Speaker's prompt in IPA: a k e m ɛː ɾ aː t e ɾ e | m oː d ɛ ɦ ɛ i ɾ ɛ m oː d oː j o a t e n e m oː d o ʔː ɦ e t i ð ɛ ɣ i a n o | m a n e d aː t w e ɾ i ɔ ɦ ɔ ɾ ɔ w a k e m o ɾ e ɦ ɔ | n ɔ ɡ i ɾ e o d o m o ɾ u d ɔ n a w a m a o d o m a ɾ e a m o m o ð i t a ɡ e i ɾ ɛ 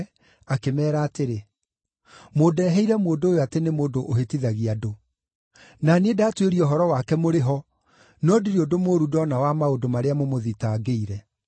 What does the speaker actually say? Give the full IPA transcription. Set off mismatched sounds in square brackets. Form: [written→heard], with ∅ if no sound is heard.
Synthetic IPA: a k e m ɛː ɾ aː t e ɾ e | m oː d ɛ ɦ ɛ i ɾ ɛ m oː d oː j o a t e n e m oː d o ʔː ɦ e t i ð [ɛ→a] ɣ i a [n→d] o | [m→n] a n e d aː t w e ɾ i ɔ ɦ ɔ ɾ ɔ w a k [e→ɛ] m o ɾ e ɦ ɔ | n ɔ [ɡ→d] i ɾ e o d o m o ɾ u d ɔ n a w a m a o d o m a ɾ e a m o m o ð i t a ɡ e i ɾ ɛ